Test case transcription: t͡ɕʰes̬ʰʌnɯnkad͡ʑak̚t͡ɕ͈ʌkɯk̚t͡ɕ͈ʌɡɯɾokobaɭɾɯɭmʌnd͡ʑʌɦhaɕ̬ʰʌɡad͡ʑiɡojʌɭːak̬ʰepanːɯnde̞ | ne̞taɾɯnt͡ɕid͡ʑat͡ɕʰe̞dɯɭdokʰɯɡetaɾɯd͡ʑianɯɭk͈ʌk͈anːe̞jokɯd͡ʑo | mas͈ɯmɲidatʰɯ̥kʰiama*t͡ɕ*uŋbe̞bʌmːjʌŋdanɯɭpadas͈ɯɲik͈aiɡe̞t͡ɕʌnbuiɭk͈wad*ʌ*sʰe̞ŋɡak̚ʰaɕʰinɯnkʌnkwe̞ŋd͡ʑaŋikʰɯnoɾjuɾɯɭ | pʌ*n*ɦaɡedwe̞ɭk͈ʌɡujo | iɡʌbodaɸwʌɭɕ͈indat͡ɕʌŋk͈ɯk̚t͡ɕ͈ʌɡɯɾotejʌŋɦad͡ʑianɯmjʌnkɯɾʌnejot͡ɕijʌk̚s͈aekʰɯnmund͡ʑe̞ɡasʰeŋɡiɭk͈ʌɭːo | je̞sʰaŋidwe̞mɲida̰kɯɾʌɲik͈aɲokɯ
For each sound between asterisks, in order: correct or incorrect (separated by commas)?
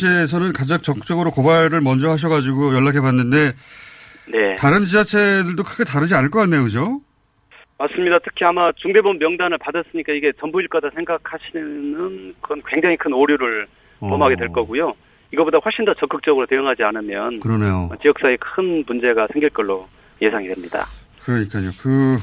correct, incorrect, incorrect